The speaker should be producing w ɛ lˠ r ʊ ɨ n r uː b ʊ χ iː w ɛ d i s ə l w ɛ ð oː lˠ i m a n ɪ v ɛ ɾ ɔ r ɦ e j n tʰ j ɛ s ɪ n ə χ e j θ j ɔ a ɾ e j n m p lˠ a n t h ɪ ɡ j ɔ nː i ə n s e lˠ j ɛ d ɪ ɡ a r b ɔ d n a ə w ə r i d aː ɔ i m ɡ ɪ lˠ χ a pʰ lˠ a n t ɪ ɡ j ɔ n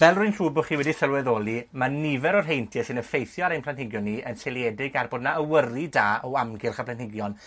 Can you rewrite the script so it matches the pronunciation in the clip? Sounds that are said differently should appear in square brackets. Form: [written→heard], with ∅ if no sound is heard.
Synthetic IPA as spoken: [w→v] ɛ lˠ r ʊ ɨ n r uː b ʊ χ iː w ɛ d i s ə l w ɛ ð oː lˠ i m a n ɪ v ɛ ɾ ɔ r ɦ e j n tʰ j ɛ s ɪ n ə [χ→f] e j θ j ɔ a ɾ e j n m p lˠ a n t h ɪ ɡ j ɔ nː i ə n s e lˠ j ɛ d ɪ ɡ a r b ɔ d n a ə w ə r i d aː ɔ [i→a] m ɡ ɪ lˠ χ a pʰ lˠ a n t ɪ ɡ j ɔ n